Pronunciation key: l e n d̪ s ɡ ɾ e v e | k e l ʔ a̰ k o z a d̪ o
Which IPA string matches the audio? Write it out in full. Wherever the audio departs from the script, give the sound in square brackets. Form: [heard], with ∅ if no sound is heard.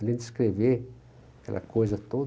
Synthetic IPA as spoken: l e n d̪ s [k] ɾ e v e | k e l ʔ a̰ k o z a [t̪] o

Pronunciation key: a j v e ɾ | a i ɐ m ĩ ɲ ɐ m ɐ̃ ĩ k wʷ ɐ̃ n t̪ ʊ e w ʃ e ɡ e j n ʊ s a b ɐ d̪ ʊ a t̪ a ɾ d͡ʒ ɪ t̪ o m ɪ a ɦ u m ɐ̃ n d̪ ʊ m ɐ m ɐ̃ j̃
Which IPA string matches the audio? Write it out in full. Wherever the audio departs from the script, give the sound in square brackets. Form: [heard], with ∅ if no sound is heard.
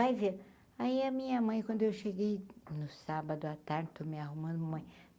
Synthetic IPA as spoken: a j v e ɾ | a i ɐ m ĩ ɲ ɐ m ɐ̃ [j̃] k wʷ ɐ̃ n [d̪] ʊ e w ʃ e ɡ e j n ʊ s a b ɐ d̪ ʊ a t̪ a ɾ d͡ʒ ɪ t̪ o m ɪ a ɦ u m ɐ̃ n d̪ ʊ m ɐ m ɐ̃ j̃

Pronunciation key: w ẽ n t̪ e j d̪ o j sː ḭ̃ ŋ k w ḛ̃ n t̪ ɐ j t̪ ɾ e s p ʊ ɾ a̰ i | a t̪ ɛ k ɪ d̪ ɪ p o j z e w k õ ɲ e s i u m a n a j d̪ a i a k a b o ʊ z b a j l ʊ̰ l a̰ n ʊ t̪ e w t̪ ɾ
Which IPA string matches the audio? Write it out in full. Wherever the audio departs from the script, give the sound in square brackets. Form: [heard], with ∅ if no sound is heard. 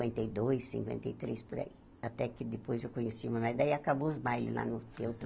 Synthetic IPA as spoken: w ẽ n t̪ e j d̪ o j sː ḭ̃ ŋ k w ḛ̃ n t̪ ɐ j t̪ ɾ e s p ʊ ɾ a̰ i | a t̪ ɛ k ɪ d̪ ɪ p o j z e w k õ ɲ e s i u m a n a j d̪ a i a k a b o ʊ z b a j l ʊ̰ l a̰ n ʊ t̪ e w t̪ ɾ

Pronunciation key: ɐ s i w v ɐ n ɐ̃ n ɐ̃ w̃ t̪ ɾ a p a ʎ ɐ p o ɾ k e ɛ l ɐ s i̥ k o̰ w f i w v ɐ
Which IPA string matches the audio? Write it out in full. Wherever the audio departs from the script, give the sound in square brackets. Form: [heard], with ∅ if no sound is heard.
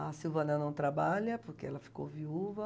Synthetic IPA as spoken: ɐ s i w v ɐ n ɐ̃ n ɐ̃ w̃ t̪ ɾ a [b] a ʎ ɐ p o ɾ k e ɛ l ɐ [f] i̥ k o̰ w [v] i [u] v ɐ

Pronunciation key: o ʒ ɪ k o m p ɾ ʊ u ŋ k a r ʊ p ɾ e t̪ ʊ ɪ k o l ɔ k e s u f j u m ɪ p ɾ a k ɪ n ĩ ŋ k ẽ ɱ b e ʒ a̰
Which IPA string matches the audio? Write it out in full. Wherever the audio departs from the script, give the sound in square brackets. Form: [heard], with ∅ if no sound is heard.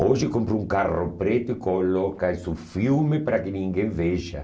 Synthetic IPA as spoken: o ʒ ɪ k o m p ɾ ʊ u ŋ k a r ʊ p ɾ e t̪ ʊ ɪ k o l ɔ k [a] s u f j u m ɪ p ɾ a k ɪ n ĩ ŋ [ɡ] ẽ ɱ [v] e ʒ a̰

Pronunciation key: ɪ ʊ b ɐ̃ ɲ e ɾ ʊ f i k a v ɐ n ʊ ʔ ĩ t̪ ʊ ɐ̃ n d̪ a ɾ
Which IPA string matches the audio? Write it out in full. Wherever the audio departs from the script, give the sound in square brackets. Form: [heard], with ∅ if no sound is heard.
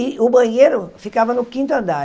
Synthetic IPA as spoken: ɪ ʊ b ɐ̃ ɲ e ɾ ʊ f i k a v ɐ n ʊ [k] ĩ t̪ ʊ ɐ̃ n d̪ a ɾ

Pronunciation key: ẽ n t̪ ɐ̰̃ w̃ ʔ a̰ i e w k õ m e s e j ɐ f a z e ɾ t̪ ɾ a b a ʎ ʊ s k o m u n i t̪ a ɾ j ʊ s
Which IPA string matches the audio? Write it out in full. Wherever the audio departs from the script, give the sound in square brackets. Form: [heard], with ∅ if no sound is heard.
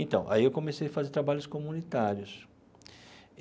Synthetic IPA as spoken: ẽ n t̪ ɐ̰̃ w̃ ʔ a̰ i e w k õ m e s e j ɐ f a z e ɾ t̪ ɾ a b a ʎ ʊ s k o m u n i t̪ a ɾ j ʊ s

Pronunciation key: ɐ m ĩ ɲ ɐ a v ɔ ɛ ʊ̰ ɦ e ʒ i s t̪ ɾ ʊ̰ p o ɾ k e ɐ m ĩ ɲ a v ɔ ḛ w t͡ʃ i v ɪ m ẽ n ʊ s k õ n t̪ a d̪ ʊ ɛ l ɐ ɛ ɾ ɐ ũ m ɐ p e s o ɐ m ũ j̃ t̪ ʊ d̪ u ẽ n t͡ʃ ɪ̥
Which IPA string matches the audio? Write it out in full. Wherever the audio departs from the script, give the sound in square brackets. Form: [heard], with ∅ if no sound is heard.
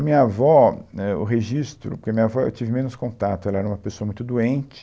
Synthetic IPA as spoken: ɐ m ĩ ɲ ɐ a v ɔ ɛ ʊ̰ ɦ e ʒ i s t̪ ɾ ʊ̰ p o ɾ k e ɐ m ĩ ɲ a v ɔ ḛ w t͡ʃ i v ɪ m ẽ n ʊ s k õ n t̪ a [t̪] ʊ ɛ l ɐ ɛ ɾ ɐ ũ m ɐ p e s o ɐ m ũ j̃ t̪ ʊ d̪ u ẽ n t͡ʃ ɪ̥

